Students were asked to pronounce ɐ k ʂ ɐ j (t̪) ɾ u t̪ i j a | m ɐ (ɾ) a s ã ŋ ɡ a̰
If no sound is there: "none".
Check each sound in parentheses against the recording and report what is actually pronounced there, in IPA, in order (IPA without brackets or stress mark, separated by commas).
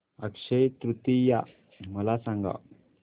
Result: t̪, l